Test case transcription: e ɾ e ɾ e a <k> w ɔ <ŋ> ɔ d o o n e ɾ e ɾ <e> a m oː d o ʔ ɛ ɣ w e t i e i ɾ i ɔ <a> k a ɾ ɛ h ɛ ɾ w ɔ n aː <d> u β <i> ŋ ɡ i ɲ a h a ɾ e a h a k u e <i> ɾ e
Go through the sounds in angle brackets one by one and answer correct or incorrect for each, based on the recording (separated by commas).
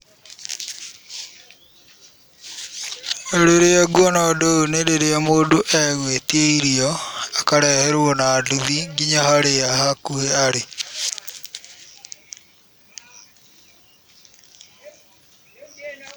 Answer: incorrect, incorrect, correct, correct, correct, correct, incorrect